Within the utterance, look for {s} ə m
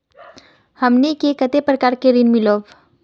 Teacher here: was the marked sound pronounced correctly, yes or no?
no